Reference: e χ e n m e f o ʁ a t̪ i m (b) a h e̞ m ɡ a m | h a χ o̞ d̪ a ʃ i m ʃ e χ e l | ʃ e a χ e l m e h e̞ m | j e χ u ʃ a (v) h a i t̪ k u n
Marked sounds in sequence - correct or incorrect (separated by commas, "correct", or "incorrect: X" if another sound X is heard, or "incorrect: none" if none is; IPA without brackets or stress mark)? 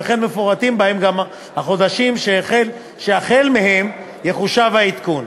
correct, correct